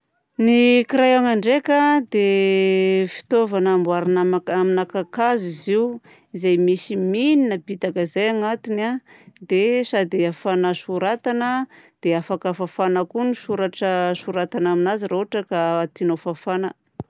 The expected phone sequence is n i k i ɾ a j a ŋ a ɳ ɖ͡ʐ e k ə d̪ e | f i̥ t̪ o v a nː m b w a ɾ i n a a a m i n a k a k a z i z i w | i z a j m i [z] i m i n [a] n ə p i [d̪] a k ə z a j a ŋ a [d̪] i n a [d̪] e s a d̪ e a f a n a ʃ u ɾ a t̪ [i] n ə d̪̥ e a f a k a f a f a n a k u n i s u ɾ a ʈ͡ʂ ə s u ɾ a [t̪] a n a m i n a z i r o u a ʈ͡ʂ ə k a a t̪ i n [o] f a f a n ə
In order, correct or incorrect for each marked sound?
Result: incorrect, incorrect, incorrect, incorrect, correct, incorrect, correct, correct

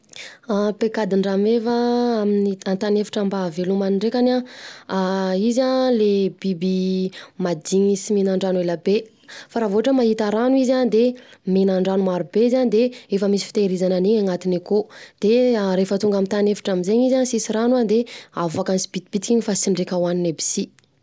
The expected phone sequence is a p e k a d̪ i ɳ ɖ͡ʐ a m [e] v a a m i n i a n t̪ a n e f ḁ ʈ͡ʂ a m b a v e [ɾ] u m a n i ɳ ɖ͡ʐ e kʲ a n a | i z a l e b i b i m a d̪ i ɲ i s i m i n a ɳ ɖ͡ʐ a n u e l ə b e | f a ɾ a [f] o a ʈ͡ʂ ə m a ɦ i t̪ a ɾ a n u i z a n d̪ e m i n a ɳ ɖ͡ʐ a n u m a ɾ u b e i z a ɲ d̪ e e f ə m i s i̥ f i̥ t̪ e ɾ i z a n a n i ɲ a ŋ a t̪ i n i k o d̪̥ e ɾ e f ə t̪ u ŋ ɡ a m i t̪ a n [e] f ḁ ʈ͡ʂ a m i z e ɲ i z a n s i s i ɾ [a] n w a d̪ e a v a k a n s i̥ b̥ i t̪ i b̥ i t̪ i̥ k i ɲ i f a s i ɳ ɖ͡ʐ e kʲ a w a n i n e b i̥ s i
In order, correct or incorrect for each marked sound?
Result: correct, incorrect, incorrect, correct, correct

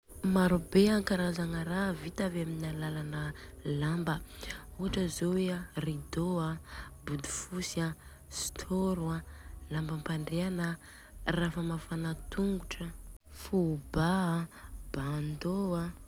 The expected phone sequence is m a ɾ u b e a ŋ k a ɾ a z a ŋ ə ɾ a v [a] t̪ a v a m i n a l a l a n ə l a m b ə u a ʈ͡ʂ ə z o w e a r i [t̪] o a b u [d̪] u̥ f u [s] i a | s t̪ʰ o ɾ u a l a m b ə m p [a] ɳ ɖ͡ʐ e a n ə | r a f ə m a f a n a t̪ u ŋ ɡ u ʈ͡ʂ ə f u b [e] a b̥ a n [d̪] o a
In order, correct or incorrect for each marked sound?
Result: incorrect, incorrect, correct, correct, correct, incorrect, correct

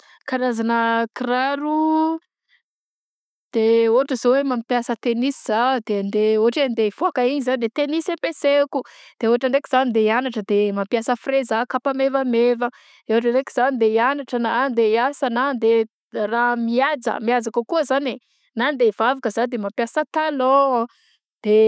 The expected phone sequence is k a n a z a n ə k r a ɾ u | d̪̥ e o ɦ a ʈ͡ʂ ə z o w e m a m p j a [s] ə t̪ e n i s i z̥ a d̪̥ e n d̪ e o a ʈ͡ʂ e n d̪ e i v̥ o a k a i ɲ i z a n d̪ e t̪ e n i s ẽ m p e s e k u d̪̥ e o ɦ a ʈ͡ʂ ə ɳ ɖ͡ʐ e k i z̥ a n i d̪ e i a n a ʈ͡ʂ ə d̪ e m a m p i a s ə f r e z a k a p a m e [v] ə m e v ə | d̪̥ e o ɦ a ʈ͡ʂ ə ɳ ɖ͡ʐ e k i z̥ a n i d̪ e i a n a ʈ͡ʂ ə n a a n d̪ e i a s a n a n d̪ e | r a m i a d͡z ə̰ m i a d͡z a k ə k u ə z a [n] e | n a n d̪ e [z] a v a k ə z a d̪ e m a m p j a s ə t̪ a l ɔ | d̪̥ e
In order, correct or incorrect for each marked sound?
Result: correct, correct, correct, incorrect

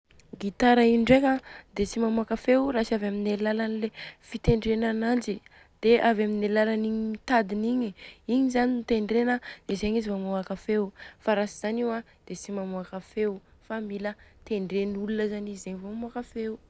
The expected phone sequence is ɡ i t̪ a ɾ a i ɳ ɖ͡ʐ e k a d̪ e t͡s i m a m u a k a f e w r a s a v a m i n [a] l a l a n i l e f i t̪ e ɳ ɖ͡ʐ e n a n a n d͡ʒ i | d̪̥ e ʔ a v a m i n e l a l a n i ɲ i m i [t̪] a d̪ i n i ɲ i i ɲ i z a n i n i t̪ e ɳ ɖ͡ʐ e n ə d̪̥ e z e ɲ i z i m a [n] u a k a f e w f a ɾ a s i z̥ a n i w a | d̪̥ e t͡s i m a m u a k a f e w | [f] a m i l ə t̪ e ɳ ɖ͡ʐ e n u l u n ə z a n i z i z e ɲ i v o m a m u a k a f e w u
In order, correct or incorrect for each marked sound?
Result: incorrect, correct, incorrect, correct

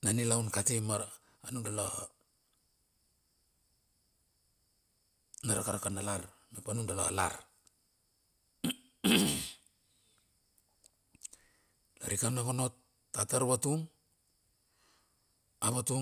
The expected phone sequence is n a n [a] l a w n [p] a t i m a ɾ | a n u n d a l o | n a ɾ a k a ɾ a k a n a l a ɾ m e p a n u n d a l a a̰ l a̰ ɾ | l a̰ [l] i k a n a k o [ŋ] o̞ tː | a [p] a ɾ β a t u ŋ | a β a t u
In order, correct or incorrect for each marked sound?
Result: incorrect, incorrect, incorrect, incorrect, incorrect

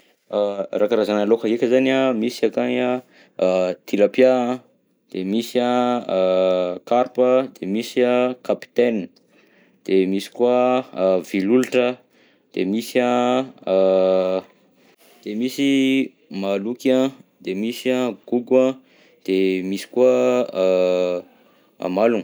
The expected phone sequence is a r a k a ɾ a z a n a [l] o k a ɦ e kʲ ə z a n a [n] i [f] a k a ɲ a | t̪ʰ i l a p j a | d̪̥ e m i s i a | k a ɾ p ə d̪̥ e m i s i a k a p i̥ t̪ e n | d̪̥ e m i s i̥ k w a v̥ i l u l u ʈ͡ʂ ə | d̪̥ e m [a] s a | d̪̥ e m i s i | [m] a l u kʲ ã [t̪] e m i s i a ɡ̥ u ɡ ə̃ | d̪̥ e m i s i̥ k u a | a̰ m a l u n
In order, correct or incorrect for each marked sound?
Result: correct, incorrect, incorrect, incorrect, correct, incorrect

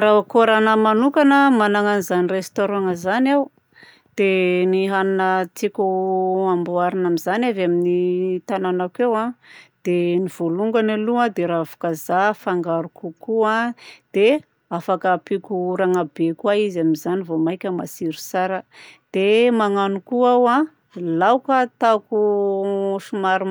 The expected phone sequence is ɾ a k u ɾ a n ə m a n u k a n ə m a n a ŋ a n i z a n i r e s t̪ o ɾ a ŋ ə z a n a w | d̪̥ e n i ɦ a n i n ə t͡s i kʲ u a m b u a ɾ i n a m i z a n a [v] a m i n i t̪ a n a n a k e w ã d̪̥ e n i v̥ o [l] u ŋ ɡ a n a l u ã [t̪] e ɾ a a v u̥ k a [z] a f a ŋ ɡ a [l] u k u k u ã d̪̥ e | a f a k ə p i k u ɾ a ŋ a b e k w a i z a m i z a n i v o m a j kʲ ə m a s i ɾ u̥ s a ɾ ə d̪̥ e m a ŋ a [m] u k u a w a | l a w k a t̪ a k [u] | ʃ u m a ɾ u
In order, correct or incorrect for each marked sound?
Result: correct, correct, incorrect, correct, incorrect, incorrect, correct

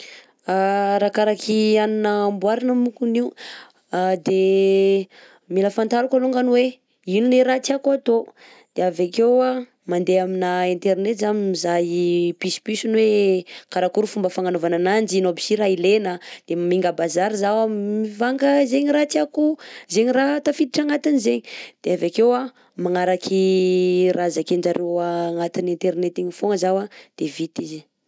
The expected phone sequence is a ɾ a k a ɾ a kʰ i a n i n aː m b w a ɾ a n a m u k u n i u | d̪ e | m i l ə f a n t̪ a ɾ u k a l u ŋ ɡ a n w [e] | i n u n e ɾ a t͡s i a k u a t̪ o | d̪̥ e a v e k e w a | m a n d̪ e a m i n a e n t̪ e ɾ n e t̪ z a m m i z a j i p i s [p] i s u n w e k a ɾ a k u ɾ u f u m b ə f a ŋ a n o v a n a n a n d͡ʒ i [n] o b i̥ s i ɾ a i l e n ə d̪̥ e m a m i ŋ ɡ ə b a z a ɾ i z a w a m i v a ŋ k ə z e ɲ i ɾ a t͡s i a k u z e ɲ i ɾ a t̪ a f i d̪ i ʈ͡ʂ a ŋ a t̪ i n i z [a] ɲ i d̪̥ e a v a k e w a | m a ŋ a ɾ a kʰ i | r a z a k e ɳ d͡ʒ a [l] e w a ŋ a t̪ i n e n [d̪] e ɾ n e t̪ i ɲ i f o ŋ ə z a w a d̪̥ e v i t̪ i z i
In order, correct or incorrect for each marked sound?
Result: correct, correct, correct, incorrect, incorrect, incorrect

